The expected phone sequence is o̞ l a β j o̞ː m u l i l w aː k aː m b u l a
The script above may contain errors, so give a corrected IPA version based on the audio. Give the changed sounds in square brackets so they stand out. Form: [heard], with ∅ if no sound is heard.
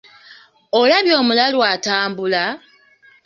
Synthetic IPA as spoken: o̞ l a β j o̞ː m u l [a] l w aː [t] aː m b u l a